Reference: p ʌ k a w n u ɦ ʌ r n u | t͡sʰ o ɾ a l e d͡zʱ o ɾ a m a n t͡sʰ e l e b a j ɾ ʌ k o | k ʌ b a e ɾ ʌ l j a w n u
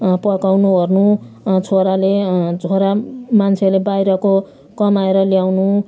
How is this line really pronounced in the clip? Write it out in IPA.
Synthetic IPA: p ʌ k a w n u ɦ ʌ r n u | t͡sʰ o ɾ a l e d͡zʱ o ɾ a m a n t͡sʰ e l e b a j ɾ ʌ k o | k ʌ m a e ɾ ʌ l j a w n u